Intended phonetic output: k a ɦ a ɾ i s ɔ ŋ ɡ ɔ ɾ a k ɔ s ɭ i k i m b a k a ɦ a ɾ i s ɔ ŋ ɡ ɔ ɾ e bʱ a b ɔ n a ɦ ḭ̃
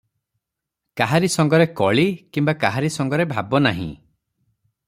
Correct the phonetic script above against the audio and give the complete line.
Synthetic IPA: k a ɦ a ɾ i s ɔ ŋ ɡ ɔ ɾ e k ɔ ɭ i k i m b a k a ɦ a ɾ i s ɔ ŋ ɡ ɔ ɾ e bʱ a b ɔ n a ɦ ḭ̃

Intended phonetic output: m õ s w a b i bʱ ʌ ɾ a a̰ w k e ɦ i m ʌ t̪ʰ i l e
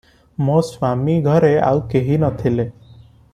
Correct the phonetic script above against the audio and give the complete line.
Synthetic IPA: m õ s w a m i ɡʱ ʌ ɾ e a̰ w k e ɦ i n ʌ t̪ʰ i l e

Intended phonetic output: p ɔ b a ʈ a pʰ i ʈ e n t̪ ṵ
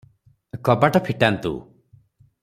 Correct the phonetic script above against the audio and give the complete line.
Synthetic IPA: k ɔ b a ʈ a pʰ i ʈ a n t̪ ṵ

